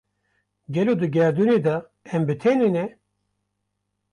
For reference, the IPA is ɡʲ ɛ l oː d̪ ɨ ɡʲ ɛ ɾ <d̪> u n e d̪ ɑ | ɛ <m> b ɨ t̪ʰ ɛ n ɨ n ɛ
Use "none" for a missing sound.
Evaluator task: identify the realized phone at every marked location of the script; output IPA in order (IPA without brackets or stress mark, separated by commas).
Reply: d̪, m